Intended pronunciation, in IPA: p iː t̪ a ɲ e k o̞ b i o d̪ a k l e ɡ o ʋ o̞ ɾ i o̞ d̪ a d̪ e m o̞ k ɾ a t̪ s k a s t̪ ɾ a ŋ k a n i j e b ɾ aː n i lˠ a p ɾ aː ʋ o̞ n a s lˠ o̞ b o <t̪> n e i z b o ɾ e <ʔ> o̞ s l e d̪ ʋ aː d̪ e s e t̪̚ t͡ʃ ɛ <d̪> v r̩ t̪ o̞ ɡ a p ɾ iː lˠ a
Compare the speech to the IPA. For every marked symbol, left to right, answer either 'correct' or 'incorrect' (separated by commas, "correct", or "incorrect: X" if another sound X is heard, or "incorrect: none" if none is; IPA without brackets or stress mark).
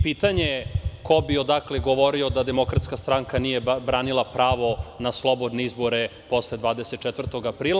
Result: incorrect: d̪, incorrect: p, incorrect: t̪